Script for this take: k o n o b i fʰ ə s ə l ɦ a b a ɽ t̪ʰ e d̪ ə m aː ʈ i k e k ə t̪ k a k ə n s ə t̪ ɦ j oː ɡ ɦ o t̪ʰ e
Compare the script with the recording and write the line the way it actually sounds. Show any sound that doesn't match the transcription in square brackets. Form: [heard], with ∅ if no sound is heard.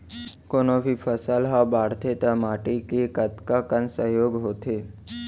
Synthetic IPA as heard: k o n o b i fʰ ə s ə l ɦ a b a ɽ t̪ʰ e [t̪] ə m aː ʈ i k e k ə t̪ k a k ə n s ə [∅] ɦ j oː ɡ ɦ o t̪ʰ e